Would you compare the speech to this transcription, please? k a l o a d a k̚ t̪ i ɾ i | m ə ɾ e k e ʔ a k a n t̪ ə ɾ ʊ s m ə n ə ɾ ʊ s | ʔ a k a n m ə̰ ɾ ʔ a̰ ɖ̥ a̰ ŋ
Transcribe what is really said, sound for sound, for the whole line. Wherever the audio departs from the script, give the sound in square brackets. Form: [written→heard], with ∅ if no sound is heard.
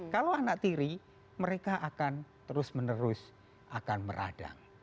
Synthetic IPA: k a l o a [d→n] a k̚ t̪ i ɾ i | m ə ɾ e k [e→a] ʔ a k a n t̪ ə ɾ ʊ s m ə n ə ɾ ʊ s | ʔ a k a n m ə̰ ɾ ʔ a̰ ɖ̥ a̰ ŋ